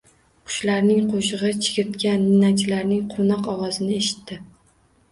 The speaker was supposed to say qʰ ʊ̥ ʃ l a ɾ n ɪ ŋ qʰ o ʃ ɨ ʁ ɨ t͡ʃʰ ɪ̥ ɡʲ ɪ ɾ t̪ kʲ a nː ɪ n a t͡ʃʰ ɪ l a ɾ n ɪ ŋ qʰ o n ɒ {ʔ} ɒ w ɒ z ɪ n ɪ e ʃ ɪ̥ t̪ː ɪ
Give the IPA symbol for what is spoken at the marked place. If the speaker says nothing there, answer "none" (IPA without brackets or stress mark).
q